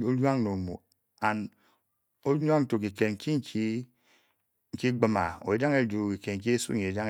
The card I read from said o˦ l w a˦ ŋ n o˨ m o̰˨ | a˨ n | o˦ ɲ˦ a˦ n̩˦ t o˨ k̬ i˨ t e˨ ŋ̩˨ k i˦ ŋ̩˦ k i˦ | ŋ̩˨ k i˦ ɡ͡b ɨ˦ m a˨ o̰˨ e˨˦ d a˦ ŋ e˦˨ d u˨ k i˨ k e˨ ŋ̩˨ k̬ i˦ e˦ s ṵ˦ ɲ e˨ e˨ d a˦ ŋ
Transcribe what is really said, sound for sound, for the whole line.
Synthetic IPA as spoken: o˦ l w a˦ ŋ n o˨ m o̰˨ | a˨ n | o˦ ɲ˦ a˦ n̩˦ t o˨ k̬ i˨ k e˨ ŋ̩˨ k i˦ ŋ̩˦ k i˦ | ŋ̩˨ k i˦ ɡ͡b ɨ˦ m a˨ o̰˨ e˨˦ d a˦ ŋ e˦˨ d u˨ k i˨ k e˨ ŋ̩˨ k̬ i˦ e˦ s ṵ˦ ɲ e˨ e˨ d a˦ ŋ

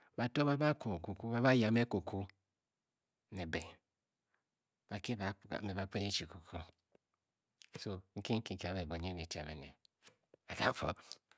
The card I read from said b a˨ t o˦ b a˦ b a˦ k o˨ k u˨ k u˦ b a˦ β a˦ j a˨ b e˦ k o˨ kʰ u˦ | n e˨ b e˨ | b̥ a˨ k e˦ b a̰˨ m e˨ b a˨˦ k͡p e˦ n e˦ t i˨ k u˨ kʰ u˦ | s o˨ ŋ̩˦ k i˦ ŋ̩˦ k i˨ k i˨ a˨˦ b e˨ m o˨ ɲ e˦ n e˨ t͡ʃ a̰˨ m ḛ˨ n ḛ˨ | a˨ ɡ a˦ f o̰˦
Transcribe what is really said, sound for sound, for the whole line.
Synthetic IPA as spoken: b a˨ t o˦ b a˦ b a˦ k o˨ k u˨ k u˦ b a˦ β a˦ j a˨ m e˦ k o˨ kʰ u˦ | n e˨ b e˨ | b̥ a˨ k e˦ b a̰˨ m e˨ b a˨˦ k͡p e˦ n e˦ t͡ʃ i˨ k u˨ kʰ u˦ | s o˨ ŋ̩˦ k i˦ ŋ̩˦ k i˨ k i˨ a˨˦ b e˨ b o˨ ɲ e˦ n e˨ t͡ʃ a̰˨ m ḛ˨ n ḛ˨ | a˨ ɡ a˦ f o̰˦

